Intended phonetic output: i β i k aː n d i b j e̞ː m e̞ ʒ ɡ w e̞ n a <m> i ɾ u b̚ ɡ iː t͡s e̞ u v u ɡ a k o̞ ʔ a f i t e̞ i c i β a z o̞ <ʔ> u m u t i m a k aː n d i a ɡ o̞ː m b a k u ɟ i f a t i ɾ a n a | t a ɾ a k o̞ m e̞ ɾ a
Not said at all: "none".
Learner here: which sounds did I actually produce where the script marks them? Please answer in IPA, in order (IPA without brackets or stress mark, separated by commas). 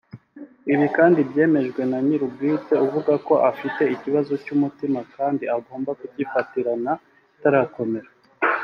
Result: ɲ, c